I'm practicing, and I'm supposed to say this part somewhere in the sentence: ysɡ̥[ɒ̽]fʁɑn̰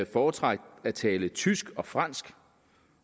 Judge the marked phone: correct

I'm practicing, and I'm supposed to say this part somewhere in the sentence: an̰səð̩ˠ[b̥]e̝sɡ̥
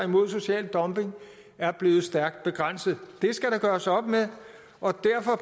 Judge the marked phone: incorrect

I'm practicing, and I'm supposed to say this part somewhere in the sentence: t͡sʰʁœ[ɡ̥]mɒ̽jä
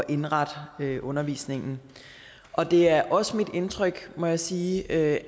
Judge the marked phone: correct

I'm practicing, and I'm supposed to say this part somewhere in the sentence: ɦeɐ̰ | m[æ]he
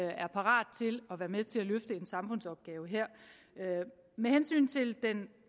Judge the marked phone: incorrect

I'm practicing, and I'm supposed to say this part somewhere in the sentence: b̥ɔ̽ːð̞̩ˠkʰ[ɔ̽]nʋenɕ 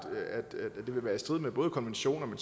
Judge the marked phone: incorrect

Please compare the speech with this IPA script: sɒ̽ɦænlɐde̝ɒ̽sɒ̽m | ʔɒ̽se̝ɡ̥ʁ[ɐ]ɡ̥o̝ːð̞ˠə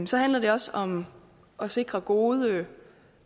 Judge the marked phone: correct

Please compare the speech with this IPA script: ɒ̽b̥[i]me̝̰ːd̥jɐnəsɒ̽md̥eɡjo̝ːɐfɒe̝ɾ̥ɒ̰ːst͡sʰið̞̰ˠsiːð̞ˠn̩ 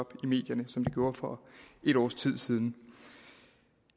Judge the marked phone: correct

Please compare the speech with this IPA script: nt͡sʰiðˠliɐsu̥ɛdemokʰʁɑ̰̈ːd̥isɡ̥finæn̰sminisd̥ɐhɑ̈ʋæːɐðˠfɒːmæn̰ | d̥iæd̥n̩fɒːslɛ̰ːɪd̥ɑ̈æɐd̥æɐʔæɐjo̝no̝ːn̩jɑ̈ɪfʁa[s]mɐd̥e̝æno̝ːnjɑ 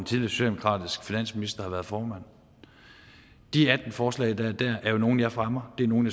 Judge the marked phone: incorrect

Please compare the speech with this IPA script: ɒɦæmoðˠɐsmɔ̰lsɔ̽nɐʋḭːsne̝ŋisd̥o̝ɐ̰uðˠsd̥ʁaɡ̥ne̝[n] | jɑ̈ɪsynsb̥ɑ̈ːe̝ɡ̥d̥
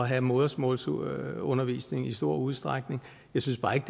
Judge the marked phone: incorrect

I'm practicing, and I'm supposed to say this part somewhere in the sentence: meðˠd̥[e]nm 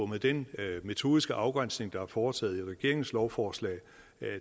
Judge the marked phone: correct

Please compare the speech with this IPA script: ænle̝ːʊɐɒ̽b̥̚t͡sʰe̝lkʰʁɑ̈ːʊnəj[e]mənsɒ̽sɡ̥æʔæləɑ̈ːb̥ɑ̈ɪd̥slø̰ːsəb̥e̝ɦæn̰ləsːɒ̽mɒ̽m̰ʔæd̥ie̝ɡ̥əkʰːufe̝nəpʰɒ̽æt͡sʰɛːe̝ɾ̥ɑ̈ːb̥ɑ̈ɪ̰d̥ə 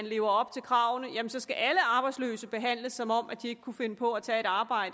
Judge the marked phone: incorrect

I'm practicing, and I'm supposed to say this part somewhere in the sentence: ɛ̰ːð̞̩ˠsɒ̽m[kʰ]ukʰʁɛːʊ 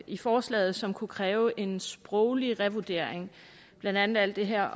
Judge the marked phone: correct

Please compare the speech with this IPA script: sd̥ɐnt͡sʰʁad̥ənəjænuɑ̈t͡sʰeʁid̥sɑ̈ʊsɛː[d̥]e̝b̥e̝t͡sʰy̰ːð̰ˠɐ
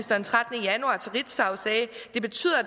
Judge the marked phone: correct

